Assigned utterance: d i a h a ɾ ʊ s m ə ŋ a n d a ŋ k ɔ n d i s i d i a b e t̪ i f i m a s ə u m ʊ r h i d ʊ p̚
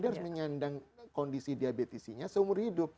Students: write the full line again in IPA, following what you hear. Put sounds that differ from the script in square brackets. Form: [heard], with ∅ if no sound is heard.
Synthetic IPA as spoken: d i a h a ɾ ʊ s m ə [ɲ] a n d a ŋ k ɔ n d i s i d i a b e t̪ i [s] i [ɲ] a s ə u m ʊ r h i d ʊ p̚